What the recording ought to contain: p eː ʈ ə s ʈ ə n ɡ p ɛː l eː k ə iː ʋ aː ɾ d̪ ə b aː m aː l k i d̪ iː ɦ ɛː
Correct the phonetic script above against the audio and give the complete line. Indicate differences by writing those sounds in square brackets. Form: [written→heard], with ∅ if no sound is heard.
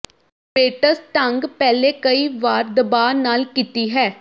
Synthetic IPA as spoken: p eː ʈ ə s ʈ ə [n→ŋ] ɡ p ɛː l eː k ə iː ʋ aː ɾ d̪ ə b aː [m→n] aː l k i [d̪→t̪] iː ɦ ɛː